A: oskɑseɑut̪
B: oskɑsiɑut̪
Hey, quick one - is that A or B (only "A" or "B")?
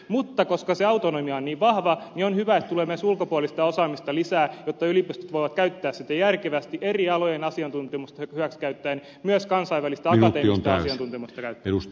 A